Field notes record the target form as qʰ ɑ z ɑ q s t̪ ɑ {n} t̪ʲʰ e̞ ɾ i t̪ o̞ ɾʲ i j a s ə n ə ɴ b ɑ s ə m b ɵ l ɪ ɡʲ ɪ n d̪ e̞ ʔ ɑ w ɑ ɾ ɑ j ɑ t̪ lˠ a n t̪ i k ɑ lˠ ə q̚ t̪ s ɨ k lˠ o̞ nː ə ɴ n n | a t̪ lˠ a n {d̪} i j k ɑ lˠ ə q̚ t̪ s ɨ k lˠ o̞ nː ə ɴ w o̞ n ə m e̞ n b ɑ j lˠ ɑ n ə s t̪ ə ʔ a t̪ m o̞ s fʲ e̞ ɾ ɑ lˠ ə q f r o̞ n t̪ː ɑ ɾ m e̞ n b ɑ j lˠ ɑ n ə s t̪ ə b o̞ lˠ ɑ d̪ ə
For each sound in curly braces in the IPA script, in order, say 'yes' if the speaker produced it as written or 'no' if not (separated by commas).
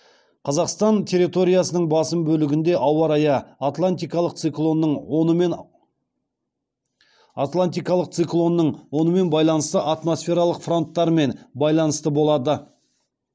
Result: yes, no